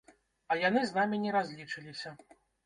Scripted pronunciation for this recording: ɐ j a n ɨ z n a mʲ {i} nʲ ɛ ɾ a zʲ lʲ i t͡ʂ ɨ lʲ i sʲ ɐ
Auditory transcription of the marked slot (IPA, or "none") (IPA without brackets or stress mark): i